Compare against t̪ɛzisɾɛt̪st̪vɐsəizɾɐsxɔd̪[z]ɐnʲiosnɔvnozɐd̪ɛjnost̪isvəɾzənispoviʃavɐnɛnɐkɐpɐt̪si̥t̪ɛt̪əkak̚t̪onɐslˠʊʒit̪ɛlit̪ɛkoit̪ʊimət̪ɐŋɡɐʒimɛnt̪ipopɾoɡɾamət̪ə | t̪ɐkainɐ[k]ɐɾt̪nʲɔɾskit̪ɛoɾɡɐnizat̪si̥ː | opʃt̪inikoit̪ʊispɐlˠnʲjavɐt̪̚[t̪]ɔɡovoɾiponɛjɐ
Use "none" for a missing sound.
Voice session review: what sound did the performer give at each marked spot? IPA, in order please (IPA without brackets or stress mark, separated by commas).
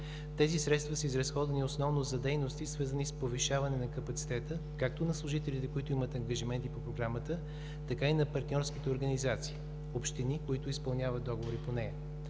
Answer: v, p, d̪